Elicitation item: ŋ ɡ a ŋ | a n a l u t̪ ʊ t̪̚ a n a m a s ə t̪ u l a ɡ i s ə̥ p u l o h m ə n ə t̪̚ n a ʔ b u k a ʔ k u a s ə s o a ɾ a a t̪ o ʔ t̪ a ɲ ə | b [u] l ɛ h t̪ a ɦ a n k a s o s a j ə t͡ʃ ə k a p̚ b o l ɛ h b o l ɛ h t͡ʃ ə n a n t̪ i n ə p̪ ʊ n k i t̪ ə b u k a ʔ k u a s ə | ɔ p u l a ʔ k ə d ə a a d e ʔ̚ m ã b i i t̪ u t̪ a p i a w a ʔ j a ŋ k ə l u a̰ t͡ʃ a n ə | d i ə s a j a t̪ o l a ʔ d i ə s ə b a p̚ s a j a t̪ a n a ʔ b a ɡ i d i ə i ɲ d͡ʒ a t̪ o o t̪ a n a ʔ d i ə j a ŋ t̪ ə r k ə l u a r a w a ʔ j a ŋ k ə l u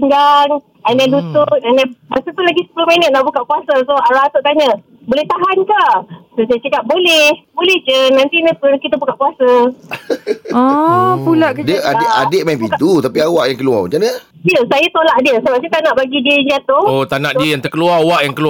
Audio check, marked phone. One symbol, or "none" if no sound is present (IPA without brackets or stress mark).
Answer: o